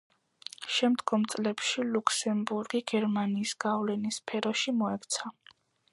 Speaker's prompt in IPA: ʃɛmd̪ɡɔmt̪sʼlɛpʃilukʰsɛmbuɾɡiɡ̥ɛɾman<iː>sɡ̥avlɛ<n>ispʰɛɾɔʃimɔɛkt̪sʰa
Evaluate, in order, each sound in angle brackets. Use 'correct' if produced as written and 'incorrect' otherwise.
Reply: correct, correct

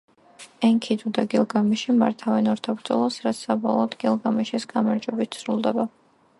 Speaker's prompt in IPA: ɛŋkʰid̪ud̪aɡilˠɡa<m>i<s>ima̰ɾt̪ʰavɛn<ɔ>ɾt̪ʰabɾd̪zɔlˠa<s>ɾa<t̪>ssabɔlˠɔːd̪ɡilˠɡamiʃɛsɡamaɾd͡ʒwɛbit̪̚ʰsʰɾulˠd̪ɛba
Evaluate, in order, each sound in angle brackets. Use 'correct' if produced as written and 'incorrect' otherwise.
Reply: correct, incorrect, correct, correct, correct

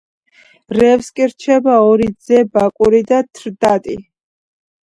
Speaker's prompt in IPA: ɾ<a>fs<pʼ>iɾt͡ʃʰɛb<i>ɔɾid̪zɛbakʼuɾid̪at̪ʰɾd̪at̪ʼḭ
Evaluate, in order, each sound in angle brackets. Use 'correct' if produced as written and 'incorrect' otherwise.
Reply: incorrect, incorrect, incorrect

